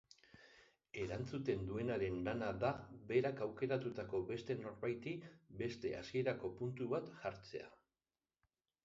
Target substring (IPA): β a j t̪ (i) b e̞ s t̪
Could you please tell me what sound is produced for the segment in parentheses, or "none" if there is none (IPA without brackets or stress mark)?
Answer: i